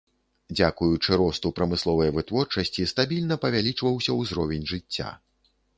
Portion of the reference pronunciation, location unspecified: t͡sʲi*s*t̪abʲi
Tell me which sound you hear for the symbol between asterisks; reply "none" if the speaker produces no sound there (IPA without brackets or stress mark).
s